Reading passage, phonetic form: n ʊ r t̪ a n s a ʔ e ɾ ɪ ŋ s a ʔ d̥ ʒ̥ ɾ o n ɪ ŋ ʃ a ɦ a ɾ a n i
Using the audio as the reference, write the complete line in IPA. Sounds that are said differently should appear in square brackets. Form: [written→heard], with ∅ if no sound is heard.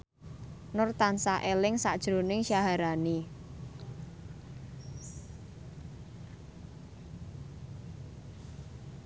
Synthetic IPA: n ʊ r t̪ a n s a ʔ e [ɾ→l] ɪ ŋ s a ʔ d̥ ʒ̥ ɾ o n ɪ ŋ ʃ a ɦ a ɾ a n i